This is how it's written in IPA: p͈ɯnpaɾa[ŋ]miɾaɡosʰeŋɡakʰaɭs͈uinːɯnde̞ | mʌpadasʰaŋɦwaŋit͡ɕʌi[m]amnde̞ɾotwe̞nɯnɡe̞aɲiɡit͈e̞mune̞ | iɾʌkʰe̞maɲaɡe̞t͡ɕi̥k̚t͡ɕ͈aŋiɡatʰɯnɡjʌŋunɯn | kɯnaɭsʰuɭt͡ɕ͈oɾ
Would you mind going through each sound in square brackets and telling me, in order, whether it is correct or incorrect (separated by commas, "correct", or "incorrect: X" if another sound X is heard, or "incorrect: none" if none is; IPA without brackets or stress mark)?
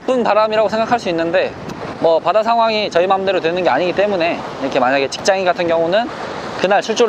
incorrect: none, correct